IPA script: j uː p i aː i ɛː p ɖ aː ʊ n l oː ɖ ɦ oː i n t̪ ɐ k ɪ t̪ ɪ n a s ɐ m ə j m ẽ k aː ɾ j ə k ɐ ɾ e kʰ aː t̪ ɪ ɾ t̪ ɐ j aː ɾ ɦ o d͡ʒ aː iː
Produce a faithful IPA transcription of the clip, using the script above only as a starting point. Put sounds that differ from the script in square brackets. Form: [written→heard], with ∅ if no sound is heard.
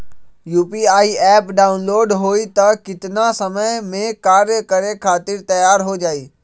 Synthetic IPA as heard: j uː p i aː i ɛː p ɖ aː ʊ n l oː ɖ ɦ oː i [n→∅] t̪ ɐ k ɪ t̪ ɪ n a s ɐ m ə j m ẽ k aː ɾ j ə k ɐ ɾ e kʰ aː t̪ ɪ ɾ t̪ ɐ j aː ɾ ɦ o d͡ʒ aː iː